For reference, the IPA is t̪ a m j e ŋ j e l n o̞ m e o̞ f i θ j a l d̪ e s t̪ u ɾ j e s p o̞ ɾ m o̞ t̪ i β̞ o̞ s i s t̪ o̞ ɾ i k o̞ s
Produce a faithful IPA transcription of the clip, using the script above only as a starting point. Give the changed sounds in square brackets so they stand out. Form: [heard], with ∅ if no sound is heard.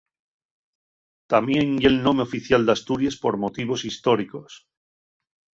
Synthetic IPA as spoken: t̪ a m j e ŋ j e l n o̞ m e o̞ f i θ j a l d̪ [a] s t̪ u ɾ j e s p o̞ ɾ m o̞ t̪ i β̞ o̞ s i s t̪ o̞ ɾ i k o̞ s